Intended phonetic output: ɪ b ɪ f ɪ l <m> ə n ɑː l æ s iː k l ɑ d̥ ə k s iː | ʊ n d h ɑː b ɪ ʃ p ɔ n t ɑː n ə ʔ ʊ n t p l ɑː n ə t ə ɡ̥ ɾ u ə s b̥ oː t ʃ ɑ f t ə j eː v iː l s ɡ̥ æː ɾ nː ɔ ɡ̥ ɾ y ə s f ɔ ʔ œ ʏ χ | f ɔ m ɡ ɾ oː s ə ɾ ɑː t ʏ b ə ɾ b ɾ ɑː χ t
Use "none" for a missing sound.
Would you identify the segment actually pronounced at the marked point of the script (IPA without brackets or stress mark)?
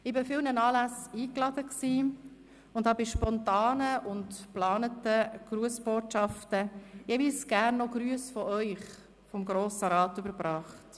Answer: n